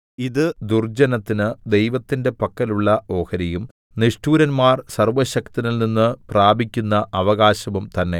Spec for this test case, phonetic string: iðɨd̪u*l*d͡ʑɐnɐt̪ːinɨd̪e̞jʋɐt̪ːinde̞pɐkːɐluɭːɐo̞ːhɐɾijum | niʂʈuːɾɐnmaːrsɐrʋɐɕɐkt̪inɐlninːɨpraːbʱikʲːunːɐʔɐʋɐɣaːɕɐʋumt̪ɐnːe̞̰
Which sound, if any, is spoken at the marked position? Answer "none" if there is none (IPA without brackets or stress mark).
r